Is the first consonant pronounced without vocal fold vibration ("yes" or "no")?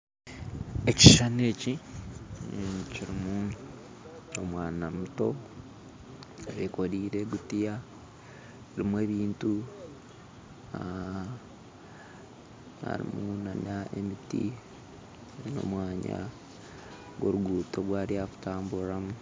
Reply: yes